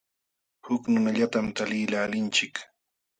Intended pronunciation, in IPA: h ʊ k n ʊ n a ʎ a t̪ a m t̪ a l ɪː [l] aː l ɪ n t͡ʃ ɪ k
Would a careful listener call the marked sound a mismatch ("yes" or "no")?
no